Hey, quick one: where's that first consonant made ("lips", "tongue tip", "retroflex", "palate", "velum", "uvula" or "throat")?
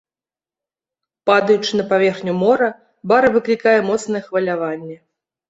lips